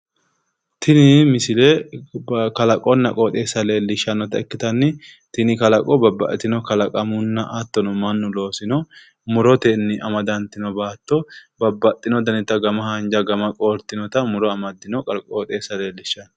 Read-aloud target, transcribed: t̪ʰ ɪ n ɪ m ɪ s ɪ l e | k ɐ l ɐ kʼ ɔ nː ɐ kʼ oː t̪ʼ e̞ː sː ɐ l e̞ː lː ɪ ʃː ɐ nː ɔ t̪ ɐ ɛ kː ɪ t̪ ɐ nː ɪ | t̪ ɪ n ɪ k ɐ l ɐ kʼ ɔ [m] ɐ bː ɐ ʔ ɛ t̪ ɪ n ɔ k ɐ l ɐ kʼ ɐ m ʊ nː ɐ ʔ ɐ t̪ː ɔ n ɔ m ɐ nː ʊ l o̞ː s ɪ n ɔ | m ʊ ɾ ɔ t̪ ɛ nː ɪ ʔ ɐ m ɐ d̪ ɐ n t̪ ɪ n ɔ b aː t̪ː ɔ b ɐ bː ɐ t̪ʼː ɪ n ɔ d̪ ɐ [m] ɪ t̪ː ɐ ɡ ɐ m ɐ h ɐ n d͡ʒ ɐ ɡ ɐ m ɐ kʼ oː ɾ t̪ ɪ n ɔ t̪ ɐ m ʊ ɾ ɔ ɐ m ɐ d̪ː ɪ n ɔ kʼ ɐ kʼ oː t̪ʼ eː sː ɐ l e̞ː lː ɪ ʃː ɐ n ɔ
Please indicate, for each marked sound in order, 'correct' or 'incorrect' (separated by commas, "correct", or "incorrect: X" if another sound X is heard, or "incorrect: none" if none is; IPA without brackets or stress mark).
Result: incorrect: b, incorrect: n